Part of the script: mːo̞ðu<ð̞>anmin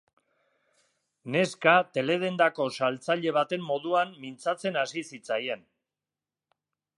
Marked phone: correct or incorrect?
incorrect